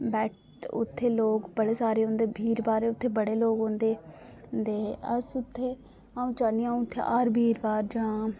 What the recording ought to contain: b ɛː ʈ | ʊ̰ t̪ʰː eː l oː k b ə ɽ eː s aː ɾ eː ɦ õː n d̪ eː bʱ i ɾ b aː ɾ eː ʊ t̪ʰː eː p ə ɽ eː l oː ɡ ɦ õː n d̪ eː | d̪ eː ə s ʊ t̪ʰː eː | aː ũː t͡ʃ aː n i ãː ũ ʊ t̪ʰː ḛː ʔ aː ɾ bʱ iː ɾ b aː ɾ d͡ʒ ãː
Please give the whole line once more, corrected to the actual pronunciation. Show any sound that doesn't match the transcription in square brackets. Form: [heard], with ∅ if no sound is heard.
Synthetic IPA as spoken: b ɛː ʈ | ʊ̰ t̪ʰː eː l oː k b ə ɽ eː s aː ɾ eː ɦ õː n d̪ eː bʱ [iː] ɾ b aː ɾ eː ʊ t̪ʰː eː [b] ə ɽ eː l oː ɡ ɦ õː n d̪ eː | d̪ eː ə s ʊ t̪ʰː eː | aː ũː t͡ʃ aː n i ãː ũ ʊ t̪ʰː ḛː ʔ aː ɾ bʱ iː ɾ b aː ɾ d͡ʒ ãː